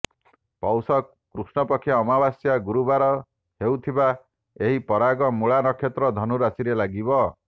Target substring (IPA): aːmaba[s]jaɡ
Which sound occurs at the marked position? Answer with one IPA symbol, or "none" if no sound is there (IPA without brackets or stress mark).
s